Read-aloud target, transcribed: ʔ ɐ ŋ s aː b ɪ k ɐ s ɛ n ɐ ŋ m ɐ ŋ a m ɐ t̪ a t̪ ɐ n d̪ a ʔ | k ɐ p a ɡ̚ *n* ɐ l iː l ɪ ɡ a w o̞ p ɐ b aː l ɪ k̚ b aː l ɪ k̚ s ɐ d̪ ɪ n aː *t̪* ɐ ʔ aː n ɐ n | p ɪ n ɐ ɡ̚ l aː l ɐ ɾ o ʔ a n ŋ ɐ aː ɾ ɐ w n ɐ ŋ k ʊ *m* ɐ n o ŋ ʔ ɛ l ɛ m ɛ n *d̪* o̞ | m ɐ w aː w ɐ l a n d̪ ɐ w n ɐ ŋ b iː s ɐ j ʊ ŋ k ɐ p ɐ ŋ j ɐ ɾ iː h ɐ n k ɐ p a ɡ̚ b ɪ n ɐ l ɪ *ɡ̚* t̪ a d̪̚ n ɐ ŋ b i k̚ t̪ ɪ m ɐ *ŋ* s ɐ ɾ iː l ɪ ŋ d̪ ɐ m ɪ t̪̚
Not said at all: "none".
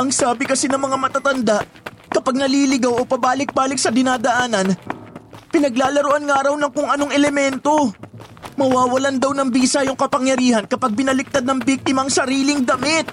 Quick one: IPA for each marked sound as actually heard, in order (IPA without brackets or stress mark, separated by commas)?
n, d̪, ŋ, t̪, k̚, ŋ